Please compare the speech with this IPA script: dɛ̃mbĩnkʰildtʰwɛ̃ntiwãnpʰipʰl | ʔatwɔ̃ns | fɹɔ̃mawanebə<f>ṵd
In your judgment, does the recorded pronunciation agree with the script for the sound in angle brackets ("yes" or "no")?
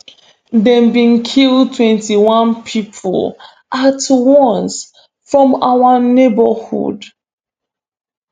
no